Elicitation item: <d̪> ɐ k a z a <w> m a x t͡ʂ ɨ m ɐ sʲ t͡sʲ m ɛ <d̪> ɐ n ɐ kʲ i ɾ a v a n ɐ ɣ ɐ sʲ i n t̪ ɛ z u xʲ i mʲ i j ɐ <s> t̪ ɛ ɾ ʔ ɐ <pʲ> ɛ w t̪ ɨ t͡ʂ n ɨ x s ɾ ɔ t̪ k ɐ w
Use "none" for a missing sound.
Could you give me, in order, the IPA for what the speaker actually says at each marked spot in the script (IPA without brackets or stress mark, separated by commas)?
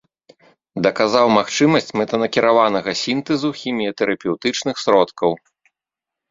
d̪, w, t̪, none, pʲ